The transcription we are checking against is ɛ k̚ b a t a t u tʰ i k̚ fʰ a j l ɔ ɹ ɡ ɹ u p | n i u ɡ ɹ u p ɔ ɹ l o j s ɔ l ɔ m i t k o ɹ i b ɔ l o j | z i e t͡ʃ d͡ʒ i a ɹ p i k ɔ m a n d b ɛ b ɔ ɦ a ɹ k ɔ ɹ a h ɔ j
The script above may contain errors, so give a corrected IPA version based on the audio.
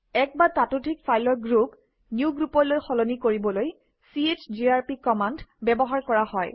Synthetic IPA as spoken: ɛ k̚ b a t a t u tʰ i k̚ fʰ a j l ɔ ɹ ɡ ɹ u p | n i u ɡ ɹ u p ɔ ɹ l o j x ɔ l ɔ n i k o ɹ i b ɔ l o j | s i e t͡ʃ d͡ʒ i a ɹ p i k ɔ m a n d b ɛ b ɔ ɦ a ɹ k ɔ ɹ a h ɔ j